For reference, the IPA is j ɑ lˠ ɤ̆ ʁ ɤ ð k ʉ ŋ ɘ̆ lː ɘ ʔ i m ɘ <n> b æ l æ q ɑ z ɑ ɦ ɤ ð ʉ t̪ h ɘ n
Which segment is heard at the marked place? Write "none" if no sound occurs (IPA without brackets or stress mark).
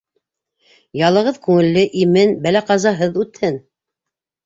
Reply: n